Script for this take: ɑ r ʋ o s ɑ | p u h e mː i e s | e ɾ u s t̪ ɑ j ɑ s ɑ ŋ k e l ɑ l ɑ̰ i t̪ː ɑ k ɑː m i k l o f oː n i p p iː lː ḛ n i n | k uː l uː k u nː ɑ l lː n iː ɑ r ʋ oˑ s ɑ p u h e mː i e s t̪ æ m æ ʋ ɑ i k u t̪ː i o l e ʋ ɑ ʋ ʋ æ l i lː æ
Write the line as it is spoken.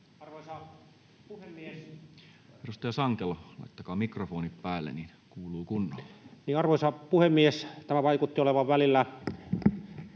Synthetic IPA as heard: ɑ r ʋ o s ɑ | p u h e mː i e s | e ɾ u s t̪ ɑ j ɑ s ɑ ŋ k e l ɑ l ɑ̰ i t̪ː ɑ k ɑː m i k r o f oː n i p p æː lː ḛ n i n | k uː l uː k u nː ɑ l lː n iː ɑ r ʋ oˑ s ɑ p u h e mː i e s t̪ æ m æ ʋ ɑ i k u t̪ː i o l e ʋ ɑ ʋ ʋ æ l i lː æ